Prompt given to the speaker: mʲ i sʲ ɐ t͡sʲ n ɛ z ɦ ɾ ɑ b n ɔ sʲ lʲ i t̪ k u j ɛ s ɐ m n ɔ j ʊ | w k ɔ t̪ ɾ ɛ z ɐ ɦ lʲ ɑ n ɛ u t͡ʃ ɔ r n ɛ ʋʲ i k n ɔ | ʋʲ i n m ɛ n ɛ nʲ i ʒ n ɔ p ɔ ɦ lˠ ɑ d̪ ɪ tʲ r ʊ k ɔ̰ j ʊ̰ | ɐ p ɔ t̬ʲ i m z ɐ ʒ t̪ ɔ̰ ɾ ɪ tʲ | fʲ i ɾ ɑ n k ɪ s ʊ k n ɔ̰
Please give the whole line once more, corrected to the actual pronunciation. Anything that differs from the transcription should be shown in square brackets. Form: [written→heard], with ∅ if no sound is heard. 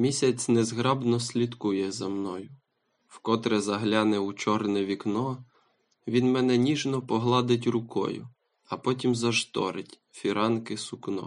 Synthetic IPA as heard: mʲ i sʲ ɐ t͡sʲ n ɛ z ɦ ɾ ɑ b n ɔ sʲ lʲ i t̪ k u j ɛ [s→z] ɐ m n ɔ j ʊ | w k ɔ t̪ ɾ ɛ z ɐ ɦ lʲ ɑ n ɛ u t͡ʃ ɔ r n ɛ ʋʲ i k n ɔ | ʋʲ i n m ɛ n ɛ nʲ i ʒ n ɔ p ɔ ɦ lˠ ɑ d̪ ɪ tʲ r ʊ k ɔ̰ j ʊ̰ | ɐ p ɔ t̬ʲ i m z ɐ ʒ t̪ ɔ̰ ɾ ɪ tʲ | fʲ i ɾ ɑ n k ɪ s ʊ k n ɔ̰